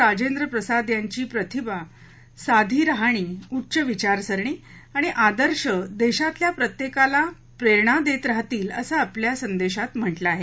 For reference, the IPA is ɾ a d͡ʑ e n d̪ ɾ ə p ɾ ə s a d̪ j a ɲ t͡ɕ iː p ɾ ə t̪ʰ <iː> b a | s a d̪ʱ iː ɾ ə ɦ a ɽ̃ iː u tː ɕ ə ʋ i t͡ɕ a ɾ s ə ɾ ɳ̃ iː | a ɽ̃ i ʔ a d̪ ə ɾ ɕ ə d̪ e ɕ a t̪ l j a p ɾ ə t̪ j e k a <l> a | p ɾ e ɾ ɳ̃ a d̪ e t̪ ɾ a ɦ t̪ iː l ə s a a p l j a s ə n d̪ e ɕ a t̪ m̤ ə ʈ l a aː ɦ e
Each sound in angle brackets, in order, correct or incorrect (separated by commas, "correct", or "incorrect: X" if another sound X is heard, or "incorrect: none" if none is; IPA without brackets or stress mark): incorrect: i, correct